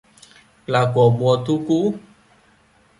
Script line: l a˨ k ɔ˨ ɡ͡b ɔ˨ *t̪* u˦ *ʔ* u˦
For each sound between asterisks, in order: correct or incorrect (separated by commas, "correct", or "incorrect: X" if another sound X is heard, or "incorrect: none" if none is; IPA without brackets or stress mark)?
correct, incorrect: k